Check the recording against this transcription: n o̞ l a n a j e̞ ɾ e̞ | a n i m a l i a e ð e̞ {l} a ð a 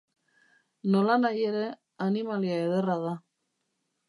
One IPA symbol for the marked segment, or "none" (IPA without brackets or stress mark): r